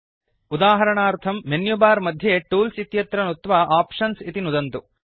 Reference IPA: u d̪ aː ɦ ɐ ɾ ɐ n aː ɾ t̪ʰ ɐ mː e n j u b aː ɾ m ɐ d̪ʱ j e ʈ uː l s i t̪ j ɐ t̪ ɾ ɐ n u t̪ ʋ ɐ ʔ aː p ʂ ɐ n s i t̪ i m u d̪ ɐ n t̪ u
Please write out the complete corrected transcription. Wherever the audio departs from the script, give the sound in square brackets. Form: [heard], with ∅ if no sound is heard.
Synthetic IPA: u d̪ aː ɦ ɐ ɾ ɐ [ɳ] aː ɾ t̪ʰ ɐ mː e n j u b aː ɾ m ɐ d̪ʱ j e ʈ uː l s i t̪ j ɐ t̪ ɾ ɐ n u t̪ ʋ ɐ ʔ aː p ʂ ɐ n s i t̪ i [n] u d̪ ɐ n t̪ u